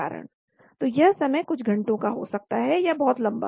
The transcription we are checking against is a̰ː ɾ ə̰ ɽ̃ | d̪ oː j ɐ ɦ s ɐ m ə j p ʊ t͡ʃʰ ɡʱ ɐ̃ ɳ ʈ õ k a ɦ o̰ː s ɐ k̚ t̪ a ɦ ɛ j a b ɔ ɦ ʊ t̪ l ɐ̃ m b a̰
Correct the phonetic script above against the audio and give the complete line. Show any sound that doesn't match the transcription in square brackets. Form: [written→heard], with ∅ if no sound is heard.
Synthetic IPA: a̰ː ɾ ə̰ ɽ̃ | [d̪→t̪] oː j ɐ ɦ s ɐ m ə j [p→k] ʊ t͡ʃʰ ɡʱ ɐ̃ ɳ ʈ õ k a ɦ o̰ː s ɐ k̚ t̪ a ɦ ɛ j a b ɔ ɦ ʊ t̪ l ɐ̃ m b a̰